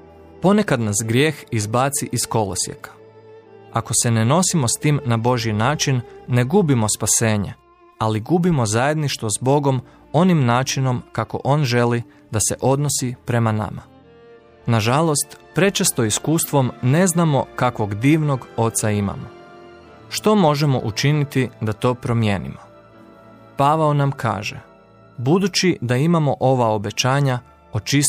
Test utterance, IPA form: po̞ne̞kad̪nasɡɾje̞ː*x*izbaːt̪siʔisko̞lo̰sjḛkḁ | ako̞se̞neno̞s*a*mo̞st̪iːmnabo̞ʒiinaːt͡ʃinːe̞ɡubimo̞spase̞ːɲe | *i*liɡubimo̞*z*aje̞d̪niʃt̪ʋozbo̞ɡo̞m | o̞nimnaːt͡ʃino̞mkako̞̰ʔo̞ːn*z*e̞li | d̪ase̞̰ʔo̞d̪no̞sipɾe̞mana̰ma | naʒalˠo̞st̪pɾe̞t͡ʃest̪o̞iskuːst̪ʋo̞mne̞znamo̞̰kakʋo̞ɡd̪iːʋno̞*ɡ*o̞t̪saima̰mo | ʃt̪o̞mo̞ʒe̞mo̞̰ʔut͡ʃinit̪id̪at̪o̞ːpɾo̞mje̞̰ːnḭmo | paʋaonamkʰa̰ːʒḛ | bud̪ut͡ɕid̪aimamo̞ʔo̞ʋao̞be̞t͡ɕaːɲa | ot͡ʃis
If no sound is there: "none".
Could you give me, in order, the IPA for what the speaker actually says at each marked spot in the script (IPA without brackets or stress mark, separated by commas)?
x, i, a, z, ʒ, ɡ